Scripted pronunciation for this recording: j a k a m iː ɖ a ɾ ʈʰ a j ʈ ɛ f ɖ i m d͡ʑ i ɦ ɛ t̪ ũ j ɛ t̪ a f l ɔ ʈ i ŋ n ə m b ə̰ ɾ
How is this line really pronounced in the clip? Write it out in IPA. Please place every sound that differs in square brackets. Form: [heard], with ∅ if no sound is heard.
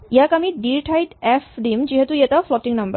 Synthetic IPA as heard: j a k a m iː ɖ [i] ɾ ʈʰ a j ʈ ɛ f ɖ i m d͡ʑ i ɦ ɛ t̪ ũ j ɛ t̪ a f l ɔ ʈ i ŋ n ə m b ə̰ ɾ